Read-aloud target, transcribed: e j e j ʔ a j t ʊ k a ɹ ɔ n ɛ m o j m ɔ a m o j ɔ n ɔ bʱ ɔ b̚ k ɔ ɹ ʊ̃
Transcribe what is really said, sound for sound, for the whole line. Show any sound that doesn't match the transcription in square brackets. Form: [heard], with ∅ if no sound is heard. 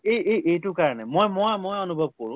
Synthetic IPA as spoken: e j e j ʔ [e] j t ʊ k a ɹ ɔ n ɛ m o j m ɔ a m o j ɔ n [u] bʱ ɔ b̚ k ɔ ɹ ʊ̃